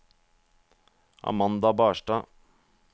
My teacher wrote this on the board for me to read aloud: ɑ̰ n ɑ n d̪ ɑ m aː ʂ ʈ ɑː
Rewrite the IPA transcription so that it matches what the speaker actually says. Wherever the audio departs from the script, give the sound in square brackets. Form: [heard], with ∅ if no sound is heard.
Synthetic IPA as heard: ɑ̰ [m] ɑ n d̪ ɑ [b] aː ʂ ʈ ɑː